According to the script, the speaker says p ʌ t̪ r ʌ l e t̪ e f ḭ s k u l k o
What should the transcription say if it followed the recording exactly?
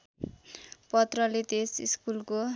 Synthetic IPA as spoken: p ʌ t̪ r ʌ l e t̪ e s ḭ s k u l k o